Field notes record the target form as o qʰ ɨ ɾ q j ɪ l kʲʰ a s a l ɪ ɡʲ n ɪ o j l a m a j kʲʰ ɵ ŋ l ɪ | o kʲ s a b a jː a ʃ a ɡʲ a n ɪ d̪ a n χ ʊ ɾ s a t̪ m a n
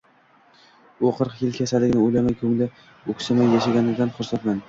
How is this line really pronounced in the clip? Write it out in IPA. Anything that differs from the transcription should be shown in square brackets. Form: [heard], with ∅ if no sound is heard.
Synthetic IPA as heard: o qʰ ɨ ɾ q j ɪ l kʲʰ a s a l ɪ ɡʲ n ɪ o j l a m a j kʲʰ ɵ ŋ l ɪ | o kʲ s a [m] a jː a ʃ a ɡʲ a n ɪ d̪ a n χ ʊ ɾ s a t̪ m a n